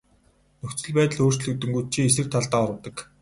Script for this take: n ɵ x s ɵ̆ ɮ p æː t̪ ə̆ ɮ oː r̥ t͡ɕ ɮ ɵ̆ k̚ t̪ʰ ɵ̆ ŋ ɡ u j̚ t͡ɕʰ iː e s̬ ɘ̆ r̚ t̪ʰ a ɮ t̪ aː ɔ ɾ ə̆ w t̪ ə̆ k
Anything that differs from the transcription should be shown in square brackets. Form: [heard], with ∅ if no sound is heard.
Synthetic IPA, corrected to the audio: n ɵ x [t͡s] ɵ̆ ɮ p æː t̪ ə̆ ɮ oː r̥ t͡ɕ ɮ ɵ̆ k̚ [t̪] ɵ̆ ŋ ɡ u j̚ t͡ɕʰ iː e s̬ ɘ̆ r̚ t̪ʰ a ɮ t̪ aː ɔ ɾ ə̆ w t̪ ə̆ k

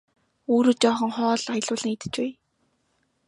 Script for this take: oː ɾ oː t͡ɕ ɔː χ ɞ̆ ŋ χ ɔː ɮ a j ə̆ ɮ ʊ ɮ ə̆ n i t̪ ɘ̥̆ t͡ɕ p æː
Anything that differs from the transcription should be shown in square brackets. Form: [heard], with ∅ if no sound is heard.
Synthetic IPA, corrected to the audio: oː ɾ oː t͡ɕ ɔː χ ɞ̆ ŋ χ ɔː ɮ a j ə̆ ɮ [ʊː] ɮ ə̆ [ŋ] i t̪ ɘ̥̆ t͡ɕ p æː

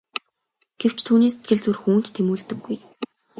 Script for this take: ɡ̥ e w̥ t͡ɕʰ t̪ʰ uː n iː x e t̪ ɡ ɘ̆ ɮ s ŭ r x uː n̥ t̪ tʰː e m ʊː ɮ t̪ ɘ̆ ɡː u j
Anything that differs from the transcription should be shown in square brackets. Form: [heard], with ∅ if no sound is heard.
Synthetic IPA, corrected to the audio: ɡ̥ e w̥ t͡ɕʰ t̪ʰ uː n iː [s] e t̪ ɡ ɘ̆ ɮ [t͡s] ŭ r x uː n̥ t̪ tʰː e m [uː] ɮ t̪ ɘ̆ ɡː u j

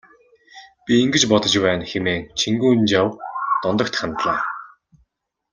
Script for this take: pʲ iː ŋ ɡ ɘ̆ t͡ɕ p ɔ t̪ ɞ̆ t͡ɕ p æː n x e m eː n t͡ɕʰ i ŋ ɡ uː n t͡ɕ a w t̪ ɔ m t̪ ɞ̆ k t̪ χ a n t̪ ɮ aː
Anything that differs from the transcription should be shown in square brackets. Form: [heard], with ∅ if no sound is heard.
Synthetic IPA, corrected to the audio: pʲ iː ŋ ɡ ɘ̆ t͡ɕ p ɔ t̪ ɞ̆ t͡ɕ p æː n x e m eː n t͡ɕʰ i ŋ ɡ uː n t͡ɕ a w t̪ ɔ [n] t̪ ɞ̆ k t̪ χ a n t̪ ɮ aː

